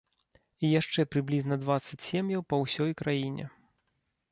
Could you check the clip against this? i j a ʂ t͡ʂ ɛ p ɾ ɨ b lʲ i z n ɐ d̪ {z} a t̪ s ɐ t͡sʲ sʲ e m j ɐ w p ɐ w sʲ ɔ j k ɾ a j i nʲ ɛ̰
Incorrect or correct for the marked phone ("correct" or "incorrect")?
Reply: incorrect